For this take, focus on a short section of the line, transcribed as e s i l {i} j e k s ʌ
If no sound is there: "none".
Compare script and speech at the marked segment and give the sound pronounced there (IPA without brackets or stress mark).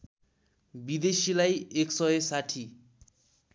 a